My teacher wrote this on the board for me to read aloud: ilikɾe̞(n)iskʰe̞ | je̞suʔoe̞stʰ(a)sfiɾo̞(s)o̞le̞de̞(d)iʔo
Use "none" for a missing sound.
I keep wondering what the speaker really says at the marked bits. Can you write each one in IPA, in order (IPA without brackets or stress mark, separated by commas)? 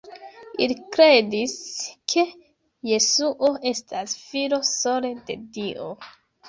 d, a, s, d